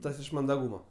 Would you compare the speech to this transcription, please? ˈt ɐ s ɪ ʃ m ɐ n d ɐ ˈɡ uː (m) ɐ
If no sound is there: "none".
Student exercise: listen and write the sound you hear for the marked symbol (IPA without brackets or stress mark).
m